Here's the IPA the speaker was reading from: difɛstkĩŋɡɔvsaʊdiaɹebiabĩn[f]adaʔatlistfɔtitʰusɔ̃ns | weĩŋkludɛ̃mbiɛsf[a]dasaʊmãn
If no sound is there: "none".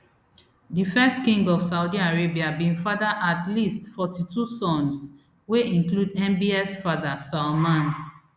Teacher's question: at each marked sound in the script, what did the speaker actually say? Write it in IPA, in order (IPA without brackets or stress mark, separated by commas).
f, a